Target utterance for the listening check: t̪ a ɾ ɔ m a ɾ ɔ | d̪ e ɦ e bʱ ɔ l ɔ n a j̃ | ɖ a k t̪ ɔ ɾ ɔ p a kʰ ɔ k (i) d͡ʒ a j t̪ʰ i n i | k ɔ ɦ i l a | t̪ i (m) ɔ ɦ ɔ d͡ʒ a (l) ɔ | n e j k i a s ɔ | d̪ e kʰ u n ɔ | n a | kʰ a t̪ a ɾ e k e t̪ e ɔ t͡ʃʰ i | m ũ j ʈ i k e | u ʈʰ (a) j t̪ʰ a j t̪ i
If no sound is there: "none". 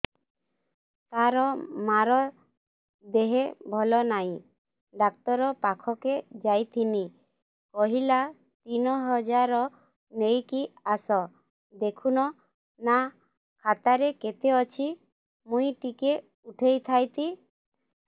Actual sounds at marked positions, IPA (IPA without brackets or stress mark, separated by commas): e, n, ɾ, e